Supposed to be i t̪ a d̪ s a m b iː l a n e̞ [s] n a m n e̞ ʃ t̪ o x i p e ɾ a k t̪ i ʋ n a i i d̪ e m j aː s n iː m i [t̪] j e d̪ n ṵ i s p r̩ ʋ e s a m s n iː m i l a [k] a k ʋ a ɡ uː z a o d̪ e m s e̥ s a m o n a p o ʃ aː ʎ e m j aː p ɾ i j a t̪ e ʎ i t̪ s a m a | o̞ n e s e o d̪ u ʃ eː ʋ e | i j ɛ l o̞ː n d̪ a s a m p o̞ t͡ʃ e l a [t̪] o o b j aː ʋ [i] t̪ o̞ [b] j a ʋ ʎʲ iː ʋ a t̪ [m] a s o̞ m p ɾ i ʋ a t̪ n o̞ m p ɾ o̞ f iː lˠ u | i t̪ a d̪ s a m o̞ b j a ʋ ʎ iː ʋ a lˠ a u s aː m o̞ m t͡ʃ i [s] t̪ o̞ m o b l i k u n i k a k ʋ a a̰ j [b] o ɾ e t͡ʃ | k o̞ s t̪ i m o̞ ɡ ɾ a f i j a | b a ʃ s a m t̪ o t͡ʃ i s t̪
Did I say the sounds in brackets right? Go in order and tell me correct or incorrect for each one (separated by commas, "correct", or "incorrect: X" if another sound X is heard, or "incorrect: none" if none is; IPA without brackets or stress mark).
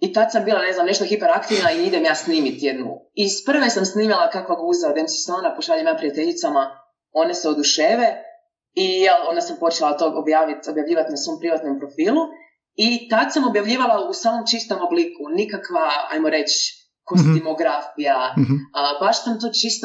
incorrect: z, correct, correct, correct, correct, correct, incorrect: n, correct, incorrect: m